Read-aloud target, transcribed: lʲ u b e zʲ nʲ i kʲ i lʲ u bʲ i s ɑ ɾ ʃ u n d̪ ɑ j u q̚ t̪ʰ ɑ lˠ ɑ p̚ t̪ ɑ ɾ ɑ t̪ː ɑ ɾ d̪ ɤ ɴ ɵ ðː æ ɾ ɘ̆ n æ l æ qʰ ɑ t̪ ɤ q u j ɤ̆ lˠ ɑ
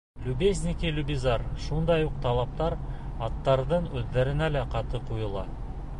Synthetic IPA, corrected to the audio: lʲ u b e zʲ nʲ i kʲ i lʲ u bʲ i z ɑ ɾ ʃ u n d̪ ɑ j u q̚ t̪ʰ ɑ lˠ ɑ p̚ t̪ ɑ ɾ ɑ t̪ː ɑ ɾ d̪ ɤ ɴ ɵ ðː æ ɾ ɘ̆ n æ l æ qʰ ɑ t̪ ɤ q u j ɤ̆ lˠ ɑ